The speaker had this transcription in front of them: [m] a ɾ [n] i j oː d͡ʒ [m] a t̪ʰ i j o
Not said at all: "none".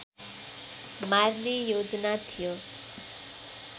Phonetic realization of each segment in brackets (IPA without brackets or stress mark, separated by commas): m, n, n